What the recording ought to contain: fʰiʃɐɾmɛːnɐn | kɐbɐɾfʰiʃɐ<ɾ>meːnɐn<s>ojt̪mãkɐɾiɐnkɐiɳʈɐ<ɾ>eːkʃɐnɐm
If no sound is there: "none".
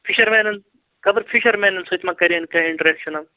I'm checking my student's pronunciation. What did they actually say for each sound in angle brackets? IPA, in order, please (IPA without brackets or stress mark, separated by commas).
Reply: ɾ, s, ɾ